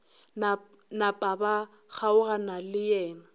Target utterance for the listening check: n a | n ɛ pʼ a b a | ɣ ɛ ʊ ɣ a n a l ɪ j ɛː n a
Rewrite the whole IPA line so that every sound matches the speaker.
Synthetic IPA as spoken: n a | n a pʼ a b a | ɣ a ʊ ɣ a n a l ɪ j ɛː n a